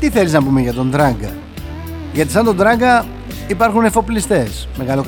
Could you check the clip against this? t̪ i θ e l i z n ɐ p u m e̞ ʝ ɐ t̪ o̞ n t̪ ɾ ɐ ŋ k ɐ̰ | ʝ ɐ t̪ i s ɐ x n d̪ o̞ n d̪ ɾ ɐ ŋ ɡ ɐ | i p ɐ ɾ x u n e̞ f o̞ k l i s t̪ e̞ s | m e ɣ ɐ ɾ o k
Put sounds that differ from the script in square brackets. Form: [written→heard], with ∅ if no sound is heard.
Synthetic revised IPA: t̪ i θ e l i z n ɐ p u m e̞ ʝ ɐ t̪ o̞ n [t̪→d̪] ɾ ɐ ŋ [k→ɡ] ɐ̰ | ʝ ɐ t̪ i s ɐ [x→∅] n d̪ o̞ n d̪ ɾ ɐ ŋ ɡ ɐ | i p ɐ ɾ x u n e̞ f o̞ [k→p] l i s t̪ e̞ s | m e ɣ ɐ [ɾ→l] o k